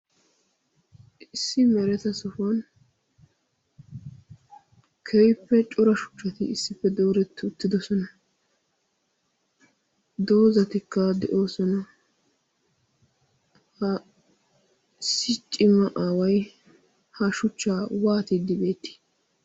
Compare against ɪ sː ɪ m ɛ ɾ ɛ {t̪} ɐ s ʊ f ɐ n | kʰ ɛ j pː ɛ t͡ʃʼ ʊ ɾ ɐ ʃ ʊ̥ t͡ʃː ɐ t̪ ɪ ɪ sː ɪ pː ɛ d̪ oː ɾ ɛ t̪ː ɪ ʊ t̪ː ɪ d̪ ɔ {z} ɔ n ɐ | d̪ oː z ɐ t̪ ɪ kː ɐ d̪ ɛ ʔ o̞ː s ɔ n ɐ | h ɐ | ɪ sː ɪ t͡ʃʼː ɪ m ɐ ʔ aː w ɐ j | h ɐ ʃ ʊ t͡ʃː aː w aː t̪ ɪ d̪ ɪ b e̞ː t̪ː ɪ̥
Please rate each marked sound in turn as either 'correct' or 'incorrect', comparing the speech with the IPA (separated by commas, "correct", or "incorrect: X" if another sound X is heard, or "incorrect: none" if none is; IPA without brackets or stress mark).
correct, incorrect: s